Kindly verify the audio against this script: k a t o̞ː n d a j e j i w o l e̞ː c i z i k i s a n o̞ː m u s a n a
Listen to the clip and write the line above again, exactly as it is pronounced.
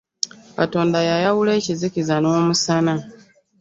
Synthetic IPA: k a t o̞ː n d a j a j a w u l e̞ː c i z i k i z a n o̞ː m u s a n a